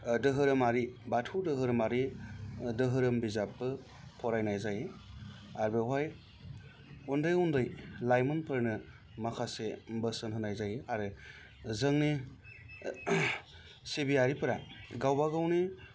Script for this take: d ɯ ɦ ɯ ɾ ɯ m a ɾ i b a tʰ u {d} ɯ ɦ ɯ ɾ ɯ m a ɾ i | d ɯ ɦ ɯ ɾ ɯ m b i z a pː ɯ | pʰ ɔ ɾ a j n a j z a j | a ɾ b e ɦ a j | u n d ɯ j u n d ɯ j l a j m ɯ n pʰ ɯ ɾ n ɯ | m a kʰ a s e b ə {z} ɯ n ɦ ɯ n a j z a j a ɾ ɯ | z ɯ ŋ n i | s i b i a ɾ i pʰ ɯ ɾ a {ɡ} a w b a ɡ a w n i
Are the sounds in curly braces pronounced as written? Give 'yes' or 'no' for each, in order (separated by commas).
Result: yes, no, yes